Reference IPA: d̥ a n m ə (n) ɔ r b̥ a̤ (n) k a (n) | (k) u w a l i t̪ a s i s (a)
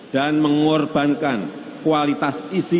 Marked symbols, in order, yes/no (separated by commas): no, yes, yes, yes, no